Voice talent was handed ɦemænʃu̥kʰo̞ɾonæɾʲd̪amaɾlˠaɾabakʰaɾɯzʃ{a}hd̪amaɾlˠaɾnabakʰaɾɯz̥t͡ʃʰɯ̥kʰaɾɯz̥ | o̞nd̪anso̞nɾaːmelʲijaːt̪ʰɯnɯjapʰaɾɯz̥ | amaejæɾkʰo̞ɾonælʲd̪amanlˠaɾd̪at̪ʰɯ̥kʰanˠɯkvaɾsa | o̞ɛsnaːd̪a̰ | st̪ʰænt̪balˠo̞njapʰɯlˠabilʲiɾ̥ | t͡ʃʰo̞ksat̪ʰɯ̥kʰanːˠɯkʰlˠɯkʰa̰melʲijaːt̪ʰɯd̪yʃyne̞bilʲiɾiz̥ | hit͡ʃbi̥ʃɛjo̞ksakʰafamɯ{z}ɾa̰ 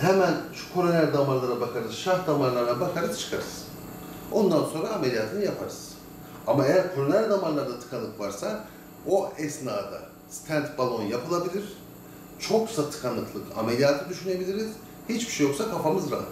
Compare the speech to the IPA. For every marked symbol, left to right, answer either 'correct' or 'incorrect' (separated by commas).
correct, correct